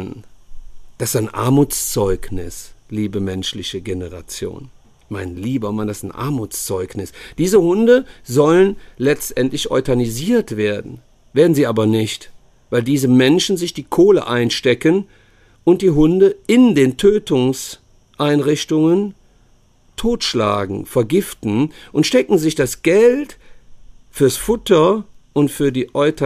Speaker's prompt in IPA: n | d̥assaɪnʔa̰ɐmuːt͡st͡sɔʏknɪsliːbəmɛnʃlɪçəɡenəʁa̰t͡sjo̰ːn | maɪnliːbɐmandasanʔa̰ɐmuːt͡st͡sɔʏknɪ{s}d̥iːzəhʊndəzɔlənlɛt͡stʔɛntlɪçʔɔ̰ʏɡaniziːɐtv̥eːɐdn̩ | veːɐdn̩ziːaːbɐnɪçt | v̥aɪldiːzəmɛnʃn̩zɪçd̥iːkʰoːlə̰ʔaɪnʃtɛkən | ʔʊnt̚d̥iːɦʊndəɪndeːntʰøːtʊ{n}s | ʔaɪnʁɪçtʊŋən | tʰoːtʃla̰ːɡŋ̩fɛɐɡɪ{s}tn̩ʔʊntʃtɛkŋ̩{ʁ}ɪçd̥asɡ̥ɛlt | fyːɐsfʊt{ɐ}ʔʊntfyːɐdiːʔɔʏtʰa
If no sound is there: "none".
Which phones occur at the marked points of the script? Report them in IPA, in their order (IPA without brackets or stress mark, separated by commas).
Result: s, ŋ, f, z, ɐ